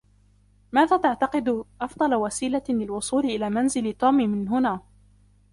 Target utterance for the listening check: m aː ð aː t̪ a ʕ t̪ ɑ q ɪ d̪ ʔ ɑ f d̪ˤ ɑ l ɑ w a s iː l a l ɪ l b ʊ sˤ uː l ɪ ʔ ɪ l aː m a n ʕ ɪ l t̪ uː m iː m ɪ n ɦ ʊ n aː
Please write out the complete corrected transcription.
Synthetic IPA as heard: m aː ð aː t̪ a ʕ t̪ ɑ q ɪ d̪ ʔ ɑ f d̪ˤ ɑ l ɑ w a s iː l a l ɪ l w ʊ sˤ uː l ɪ ʔ ɪ l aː m a n z ɪ l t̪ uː m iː m ɪ n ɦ ʊ n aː